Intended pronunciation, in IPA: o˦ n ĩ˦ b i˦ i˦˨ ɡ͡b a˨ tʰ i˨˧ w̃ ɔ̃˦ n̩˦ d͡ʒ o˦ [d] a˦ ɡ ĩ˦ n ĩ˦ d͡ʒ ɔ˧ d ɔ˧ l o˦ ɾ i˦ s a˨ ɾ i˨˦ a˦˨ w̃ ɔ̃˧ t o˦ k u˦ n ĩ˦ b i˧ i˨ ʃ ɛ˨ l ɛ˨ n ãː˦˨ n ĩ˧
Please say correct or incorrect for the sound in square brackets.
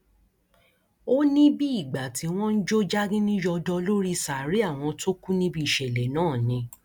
incorrect